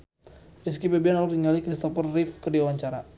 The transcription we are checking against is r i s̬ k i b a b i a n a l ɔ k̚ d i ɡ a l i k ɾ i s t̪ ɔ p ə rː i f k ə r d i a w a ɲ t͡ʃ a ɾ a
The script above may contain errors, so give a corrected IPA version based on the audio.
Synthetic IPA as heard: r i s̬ k i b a b i a n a l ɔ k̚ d i ŋ a l i k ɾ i s t̪ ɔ p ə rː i f k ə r d i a w a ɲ t͡ʃ a ɾ a